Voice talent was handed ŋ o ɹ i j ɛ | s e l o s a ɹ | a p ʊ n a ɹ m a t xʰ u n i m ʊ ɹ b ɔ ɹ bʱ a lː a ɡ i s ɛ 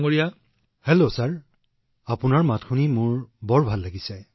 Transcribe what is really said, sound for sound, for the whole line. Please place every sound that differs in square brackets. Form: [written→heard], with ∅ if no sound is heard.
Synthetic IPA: ŋ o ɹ i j [ɛ→a] | [s→h] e l o s a ɹ | a p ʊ n a ɹ m a t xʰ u n i m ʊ ɹ b ɔ ɹ bʱ a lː a ɡ i s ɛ